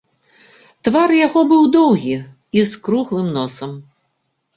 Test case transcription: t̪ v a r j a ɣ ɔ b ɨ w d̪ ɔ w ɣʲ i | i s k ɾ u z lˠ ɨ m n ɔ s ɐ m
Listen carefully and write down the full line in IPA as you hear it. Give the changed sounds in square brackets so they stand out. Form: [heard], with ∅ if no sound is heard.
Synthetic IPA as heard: t̪ v a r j a ɣ ɔ b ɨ w d̪ ɔ w ɣʲ i | i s k ɾ u [ɣ] lˠ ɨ m n ɔ s ɐ m

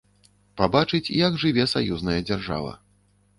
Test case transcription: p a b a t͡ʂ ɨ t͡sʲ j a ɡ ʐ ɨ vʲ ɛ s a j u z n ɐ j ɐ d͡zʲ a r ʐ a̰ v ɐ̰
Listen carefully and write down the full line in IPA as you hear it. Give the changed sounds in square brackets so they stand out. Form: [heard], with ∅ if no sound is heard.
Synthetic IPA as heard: p a b a t͡ʂ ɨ t͡sʲ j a ɡ ʐ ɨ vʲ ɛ s a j u z n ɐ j ɐ d͡zʲ a r ʐ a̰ v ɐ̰

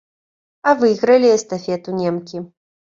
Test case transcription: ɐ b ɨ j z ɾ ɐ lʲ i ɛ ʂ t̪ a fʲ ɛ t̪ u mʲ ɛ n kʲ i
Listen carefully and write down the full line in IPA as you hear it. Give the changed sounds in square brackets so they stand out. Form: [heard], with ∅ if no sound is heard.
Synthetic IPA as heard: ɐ [v] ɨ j [ɣ] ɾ ɐ lʲ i ɛ [s] t̪ a fʲ ɛ t̪ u [nʲ] ɛ [m] kʲ i

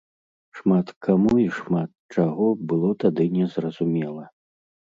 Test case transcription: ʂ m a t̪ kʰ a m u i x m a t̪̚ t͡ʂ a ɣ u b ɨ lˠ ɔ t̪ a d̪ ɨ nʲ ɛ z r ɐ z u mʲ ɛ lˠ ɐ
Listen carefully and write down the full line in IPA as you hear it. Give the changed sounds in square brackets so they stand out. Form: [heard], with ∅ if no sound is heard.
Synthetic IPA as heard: ʂ m a t̪ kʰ a m u i [ʂ] m a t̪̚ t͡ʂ a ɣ [ɔ] b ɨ lˠ ɔ t̪ a d̪ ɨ nʲ ɛ z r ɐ z u mʲ ɛ lˠ ɐ

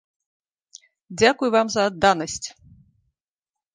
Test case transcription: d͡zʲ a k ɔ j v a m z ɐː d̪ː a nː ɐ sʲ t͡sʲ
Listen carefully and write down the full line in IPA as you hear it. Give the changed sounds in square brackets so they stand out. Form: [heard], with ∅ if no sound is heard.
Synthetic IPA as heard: d͡zʲ a k [u] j v a m z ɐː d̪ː a [n] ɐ sʲ t͡sʲ

